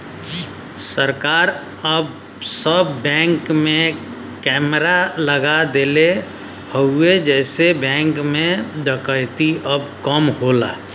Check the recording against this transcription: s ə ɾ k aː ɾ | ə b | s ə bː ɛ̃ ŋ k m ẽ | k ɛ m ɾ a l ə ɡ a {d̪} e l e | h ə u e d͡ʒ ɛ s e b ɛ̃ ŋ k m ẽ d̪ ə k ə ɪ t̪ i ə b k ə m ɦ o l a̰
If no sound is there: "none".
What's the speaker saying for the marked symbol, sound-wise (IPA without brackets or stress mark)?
d̪